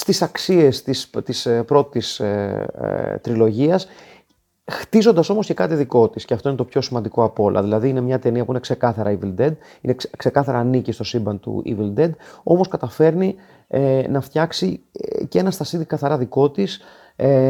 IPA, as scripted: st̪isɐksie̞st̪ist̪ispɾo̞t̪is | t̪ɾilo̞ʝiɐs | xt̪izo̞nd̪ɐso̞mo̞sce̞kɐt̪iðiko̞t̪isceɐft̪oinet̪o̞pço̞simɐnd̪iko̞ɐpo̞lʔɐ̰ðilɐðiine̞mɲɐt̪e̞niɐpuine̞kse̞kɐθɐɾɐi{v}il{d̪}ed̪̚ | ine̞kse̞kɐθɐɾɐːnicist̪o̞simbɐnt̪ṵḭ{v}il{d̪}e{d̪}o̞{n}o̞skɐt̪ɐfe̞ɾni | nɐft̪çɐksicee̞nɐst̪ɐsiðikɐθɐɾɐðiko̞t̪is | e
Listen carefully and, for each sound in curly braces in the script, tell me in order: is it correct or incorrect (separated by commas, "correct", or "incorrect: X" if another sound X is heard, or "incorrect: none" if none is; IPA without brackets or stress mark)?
correct, correct, correct, correct, correct, incorrect: m